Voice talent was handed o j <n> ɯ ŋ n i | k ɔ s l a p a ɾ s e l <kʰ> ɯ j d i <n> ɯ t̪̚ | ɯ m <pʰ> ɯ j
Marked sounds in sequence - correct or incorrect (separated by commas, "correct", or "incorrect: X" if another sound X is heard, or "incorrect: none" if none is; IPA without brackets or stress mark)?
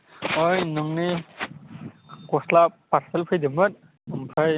correct, incorrect: pʰ, incorrect: m, correct